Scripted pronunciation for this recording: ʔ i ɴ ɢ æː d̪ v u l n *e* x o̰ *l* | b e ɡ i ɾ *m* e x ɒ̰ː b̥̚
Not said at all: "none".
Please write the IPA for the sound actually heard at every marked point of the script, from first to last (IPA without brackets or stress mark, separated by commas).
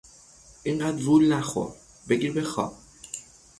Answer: æ, ɾ, b